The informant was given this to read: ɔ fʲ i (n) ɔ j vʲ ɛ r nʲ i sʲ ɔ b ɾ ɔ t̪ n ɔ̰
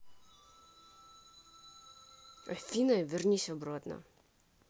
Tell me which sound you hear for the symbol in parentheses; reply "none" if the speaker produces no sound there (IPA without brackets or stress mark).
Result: n